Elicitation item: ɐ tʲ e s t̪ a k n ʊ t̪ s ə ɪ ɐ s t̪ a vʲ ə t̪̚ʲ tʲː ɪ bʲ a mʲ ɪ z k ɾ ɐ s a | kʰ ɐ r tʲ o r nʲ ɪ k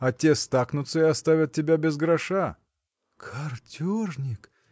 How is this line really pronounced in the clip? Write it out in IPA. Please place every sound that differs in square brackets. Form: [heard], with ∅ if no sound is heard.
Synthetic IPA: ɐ tʲ e s t̪ a k n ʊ t̪ s ə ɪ ɐ s t̪ a vʲ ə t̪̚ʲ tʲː ɪ bʲ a [bʲ] ɪ z [ɡ] ɾ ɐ [ʂ] a | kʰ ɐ r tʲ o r nʲ ɪ k